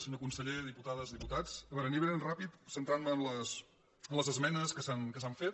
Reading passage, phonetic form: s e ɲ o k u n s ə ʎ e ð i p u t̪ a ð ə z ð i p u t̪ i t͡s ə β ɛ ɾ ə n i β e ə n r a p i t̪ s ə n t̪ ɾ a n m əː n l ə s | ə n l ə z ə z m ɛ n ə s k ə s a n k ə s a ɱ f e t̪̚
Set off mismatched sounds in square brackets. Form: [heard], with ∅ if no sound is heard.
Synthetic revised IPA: s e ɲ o k u n s ə ʎ e ð i p u t̪ a ð ə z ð i p u t̪ [a] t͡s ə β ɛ ɾ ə n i β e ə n r a p i t̪ s ə n t̪ ɾ a n m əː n l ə s | ə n l ə z ə z m ɛ n ə s k ə s a n k ə s a ɱ f e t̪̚